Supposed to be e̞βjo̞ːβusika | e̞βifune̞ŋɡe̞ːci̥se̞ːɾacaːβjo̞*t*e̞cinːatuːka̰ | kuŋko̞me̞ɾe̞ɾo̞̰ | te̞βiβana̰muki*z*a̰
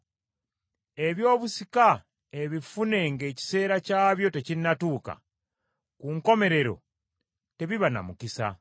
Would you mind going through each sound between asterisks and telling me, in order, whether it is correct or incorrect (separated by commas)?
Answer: correct, incorrect